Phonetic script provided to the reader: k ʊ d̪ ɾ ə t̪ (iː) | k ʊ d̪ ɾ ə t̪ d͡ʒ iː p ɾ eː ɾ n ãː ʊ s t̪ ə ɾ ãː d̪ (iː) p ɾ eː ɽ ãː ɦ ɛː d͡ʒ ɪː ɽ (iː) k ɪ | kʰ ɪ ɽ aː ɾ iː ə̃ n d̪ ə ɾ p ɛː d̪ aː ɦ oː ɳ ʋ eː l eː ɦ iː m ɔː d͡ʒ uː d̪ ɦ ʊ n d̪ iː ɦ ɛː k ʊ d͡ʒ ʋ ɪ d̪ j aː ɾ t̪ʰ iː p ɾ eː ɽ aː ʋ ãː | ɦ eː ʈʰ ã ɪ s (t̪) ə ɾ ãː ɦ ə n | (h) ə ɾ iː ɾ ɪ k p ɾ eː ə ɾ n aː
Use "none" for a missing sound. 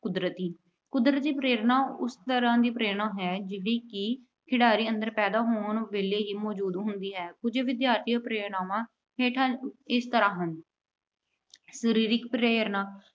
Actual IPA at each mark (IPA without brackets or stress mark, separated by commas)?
iː, iː, iː, t̪, s